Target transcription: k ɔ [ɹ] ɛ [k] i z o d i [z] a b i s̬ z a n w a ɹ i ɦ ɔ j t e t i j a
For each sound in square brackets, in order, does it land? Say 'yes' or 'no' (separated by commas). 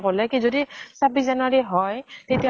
no, yes, no